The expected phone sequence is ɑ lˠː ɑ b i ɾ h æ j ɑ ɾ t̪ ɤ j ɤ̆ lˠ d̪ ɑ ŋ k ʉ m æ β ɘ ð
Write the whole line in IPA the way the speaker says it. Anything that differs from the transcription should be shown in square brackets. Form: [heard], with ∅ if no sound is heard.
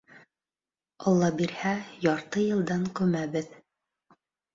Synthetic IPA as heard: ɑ lˠː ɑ b i ɾ h æ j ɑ ɾ t̪ ɤ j ɤ̆ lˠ d̪ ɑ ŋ k ʉ m æ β ɘ ð